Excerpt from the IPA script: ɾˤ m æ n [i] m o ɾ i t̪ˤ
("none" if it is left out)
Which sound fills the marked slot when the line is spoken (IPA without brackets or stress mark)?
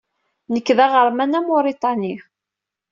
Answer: æ